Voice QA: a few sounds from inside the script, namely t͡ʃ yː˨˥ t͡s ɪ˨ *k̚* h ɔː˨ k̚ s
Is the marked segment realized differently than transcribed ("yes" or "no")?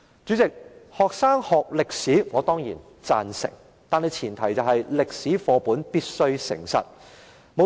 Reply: no